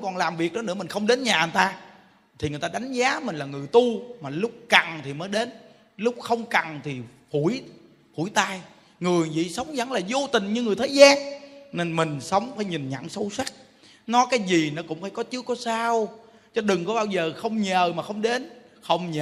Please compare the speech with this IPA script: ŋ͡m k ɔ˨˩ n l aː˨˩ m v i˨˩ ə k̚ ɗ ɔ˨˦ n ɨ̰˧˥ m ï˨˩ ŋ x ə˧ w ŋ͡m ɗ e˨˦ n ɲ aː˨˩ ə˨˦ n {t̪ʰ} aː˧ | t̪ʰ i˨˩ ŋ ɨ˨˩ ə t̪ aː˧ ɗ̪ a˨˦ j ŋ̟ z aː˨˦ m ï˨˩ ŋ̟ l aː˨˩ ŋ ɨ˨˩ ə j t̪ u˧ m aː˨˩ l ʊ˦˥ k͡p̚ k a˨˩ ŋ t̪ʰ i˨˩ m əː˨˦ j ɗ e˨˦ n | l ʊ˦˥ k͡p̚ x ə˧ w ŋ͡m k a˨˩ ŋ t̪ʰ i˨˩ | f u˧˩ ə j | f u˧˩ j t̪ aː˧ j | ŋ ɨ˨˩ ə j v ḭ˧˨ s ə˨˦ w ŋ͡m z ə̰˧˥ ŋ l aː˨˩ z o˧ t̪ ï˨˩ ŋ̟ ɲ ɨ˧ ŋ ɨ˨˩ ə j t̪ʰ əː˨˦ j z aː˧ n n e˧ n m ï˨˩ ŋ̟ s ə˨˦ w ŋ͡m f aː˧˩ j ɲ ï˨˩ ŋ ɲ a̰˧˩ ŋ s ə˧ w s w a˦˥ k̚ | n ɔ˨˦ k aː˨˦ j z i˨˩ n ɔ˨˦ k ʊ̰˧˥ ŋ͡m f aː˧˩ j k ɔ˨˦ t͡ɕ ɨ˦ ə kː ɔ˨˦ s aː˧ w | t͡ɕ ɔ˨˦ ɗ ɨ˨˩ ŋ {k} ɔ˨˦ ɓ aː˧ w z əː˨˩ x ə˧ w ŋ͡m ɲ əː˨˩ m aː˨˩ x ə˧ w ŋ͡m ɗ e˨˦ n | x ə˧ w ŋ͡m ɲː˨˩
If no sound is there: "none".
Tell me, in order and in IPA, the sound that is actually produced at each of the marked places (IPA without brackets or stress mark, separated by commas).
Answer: t̪, k